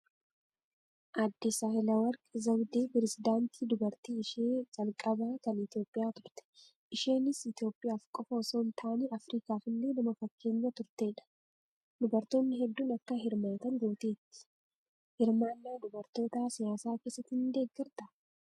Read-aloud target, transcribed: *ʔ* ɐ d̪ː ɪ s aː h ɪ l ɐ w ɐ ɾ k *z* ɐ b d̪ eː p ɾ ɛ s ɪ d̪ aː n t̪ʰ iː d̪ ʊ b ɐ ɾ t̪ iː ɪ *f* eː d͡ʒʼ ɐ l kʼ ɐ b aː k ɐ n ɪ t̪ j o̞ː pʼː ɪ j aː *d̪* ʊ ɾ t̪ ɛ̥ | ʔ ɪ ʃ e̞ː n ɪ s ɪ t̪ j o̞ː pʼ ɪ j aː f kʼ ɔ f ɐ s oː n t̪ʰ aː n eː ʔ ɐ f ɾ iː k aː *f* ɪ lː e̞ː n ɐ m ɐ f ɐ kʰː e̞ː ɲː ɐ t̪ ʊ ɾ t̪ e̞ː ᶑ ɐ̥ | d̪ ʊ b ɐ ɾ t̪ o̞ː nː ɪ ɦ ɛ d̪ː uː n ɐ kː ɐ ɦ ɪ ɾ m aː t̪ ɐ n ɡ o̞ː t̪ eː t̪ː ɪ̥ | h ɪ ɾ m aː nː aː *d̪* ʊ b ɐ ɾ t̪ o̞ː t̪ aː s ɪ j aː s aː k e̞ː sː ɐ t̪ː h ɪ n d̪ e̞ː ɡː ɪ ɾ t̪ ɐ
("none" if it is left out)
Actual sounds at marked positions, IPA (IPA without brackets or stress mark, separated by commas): ʔ, z, ʃ, t̪, f, d̪